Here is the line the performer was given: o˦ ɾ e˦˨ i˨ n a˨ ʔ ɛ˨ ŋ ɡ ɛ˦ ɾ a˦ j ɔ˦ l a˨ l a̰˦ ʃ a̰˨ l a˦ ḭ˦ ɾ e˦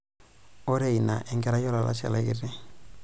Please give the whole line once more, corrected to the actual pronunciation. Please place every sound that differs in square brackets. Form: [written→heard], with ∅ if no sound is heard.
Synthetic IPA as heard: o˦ ɾ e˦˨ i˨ n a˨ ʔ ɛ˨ ŋ ɡ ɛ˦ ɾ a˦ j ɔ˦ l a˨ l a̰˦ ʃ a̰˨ l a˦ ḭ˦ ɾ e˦